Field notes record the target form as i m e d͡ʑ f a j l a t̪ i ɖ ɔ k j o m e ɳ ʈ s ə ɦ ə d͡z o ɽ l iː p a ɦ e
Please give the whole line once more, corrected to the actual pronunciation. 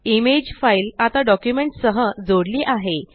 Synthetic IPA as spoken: i m e d͡ʑ f a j l a t̪ a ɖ ɔ k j u m e ɳ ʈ s ə ɦ ə d͡z o ɽ l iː ʔ a ɦ e

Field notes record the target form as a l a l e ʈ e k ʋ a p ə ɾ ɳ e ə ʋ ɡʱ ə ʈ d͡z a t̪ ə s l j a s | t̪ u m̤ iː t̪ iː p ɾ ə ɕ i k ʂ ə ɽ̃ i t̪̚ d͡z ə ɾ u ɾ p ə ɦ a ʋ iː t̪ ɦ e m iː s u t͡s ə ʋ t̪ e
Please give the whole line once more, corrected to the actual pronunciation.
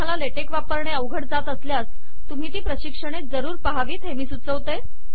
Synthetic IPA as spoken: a l a l e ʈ e k ʋ a p ə ɾ ɳ e ə ʋ ɡʱ ə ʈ d͡z a t̪ ə s l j a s | t̪ u m̤ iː t̪ iː p ɾ ə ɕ i k ʂ ə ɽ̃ e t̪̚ d͡z ə ɾ uː ɾ p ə ɦ a ʋ iː t̪ ɦ e m iː s u t͡s ə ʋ t̪ e

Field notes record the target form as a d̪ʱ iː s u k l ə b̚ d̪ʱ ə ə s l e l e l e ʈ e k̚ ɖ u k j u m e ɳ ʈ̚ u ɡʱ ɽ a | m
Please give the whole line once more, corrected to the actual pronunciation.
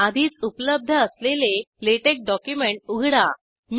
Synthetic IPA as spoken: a d̪ʱ iː t͡s u p l ə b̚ d̪ʱ ə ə s l e l e l e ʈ e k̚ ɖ ɔ k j u m e ɳ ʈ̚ u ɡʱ ɽ a | m

